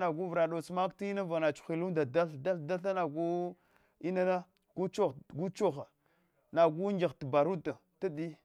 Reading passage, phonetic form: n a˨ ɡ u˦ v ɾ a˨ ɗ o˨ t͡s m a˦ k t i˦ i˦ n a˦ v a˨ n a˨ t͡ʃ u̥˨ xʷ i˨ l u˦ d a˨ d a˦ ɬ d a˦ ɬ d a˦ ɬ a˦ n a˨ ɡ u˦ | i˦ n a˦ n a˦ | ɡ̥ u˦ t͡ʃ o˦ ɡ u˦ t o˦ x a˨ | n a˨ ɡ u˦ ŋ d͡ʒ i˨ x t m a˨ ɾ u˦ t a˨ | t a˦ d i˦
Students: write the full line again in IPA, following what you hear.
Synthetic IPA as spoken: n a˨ ɡ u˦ v ɾ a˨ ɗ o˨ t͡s m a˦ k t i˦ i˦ n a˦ v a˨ n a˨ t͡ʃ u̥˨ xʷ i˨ l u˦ d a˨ d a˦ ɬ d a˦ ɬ d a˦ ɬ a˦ n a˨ ɡ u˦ | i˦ n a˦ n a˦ | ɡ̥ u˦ t͡ʃ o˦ ɡ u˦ t͡ʃ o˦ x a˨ | n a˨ ɡ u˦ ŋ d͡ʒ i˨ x t b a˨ ɾ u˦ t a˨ | t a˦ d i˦

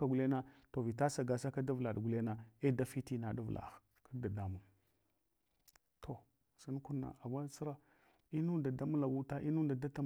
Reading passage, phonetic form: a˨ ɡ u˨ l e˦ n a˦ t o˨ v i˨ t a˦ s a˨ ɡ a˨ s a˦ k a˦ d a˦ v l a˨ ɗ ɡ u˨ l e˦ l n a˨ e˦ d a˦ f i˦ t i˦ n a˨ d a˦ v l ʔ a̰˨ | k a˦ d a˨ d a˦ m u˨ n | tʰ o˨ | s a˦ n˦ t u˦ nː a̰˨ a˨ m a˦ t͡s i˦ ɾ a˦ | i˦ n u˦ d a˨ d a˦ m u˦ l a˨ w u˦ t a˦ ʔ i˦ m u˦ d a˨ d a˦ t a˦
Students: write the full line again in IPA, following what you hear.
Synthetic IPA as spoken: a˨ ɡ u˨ l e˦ n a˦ t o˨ v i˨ t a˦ s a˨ ɡ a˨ s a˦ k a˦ d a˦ v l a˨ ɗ ɡ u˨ l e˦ n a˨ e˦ d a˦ f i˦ t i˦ n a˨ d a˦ v l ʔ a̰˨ | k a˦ d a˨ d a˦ m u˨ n | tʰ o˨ | s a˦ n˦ k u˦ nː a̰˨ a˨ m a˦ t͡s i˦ ɾ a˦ | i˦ n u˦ d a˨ d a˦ m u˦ l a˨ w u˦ t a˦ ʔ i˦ n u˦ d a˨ d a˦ t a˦

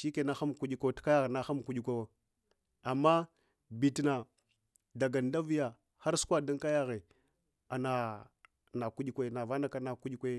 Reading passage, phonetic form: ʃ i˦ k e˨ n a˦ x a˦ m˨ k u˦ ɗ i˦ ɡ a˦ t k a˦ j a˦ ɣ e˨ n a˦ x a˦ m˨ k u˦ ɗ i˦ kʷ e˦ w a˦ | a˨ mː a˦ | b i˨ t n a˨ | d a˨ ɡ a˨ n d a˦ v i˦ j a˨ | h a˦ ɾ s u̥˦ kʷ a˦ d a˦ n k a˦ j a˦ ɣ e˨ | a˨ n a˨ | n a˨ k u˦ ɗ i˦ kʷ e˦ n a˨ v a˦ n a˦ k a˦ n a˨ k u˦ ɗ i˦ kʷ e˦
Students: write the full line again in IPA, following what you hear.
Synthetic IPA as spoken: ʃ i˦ k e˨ n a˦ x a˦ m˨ k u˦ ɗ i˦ k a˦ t k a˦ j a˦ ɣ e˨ n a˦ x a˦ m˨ k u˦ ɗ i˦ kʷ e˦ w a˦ | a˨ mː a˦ | b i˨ t n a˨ | d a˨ ɡ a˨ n d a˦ v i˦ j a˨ | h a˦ ɾ s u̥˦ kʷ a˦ d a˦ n k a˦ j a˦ ɣ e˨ | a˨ n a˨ | n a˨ k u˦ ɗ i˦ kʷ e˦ n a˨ v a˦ n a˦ k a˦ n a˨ k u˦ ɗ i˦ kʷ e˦

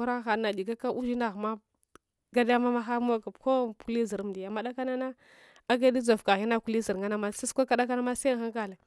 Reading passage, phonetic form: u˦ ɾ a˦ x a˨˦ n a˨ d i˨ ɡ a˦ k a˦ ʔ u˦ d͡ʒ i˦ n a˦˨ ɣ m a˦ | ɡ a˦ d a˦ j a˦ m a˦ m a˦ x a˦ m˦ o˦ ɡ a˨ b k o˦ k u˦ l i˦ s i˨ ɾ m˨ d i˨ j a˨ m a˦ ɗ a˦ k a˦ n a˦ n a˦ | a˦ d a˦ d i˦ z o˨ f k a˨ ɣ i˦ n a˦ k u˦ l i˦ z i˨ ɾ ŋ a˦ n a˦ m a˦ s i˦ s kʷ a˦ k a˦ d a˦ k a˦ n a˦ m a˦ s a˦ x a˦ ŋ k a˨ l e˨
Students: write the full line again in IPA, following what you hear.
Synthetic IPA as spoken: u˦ ɾ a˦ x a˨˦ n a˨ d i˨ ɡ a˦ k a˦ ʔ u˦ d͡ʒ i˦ n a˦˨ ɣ m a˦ | ɡ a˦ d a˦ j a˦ m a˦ m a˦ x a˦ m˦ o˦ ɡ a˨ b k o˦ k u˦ l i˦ z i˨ ɾ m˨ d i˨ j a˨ m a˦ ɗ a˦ k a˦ n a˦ n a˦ | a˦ ɡ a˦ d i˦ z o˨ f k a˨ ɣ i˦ n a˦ k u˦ l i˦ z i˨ ɾ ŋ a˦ n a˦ m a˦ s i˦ s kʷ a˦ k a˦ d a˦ k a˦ n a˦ m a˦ s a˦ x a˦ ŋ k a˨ l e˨

